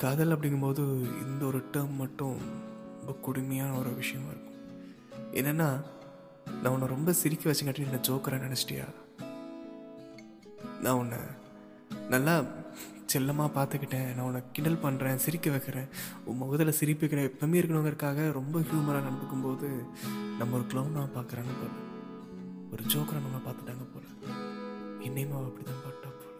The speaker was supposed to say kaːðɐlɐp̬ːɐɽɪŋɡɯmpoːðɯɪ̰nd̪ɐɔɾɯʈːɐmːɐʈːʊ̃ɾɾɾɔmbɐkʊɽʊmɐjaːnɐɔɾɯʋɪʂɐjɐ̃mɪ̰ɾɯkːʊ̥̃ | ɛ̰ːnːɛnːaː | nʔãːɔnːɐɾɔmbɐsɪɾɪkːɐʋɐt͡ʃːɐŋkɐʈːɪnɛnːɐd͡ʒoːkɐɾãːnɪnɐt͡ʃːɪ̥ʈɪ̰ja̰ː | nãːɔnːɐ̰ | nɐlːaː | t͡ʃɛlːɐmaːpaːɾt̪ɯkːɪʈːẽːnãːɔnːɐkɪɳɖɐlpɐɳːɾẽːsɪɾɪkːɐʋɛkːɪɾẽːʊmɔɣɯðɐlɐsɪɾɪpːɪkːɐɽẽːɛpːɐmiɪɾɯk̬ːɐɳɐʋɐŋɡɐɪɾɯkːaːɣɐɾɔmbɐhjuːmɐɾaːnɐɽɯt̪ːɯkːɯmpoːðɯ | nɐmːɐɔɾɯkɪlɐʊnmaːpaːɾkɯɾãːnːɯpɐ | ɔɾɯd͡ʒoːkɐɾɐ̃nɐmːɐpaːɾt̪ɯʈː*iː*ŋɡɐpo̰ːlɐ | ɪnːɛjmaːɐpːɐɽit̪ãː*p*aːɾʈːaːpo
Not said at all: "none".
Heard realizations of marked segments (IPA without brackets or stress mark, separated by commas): aː, p